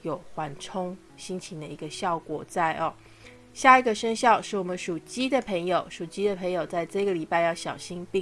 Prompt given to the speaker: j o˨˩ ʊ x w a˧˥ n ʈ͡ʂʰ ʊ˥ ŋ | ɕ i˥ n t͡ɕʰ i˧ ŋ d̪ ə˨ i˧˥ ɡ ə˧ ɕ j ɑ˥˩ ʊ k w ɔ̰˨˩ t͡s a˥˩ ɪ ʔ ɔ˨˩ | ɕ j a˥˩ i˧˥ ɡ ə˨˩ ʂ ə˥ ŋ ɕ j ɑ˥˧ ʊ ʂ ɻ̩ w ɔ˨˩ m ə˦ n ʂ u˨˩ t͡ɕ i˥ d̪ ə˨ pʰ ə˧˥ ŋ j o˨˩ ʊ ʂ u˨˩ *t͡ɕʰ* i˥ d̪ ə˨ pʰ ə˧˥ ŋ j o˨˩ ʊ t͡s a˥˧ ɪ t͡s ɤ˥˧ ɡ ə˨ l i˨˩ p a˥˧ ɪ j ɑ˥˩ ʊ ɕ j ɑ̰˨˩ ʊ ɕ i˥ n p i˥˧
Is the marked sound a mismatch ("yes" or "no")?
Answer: yes